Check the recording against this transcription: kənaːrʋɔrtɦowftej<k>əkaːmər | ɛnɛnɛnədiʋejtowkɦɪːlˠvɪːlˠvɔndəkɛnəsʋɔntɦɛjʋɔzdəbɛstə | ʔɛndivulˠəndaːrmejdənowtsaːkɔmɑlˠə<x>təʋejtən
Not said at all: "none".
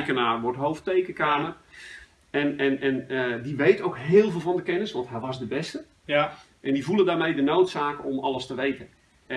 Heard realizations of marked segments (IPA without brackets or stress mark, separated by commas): k, s